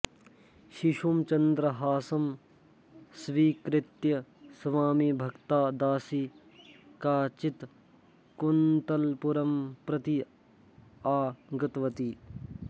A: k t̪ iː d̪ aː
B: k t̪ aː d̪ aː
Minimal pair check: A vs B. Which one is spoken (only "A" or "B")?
B